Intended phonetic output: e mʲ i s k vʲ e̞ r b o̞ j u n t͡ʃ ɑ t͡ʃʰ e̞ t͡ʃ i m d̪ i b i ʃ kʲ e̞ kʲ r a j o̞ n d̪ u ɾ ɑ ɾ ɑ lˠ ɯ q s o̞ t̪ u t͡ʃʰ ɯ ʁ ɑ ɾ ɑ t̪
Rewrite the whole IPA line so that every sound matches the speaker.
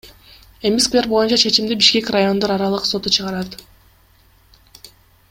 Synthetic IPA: e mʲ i s k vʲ e̞ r b o̞ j u n t͡ʃ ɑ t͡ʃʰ e̞ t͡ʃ i m d̪ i b i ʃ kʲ e̞ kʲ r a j o̞ n d̪ o ɾ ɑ ɾ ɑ lˠ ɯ q s o̞ t̪ u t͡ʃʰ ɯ ʁ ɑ ɾ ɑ t̪